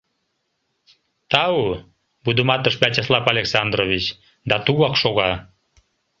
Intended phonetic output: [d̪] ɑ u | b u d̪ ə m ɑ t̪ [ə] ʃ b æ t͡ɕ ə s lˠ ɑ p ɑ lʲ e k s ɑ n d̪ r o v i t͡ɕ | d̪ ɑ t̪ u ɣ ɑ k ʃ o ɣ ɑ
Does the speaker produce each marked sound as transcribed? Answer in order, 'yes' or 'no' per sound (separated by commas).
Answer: no, yes